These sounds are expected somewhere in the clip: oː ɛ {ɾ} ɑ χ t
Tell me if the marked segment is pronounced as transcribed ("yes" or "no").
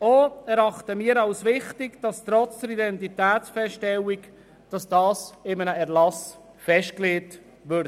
yes